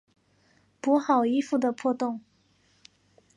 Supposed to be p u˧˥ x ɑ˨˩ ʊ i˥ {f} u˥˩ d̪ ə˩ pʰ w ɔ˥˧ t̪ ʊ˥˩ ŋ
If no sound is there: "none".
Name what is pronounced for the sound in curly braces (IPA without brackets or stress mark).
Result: f